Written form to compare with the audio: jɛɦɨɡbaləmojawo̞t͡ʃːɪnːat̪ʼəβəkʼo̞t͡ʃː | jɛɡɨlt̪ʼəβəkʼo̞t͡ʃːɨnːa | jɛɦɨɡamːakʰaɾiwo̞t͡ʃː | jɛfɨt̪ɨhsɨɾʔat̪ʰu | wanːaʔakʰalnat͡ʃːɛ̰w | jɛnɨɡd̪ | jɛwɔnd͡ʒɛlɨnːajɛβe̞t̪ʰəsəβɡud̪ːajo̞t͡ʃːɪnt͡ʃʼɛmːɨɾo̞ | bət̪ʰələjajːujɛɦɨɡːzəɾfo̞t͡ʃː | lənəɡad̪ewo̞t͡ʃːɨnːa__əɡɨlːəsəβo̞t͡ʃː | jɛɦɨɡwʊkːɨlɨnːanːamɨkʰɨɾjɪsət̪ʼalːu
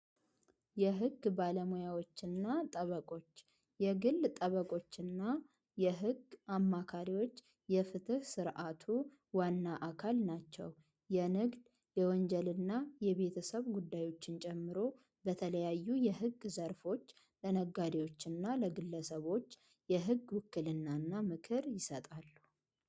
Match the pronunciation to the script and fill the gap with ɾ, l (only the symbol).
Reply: l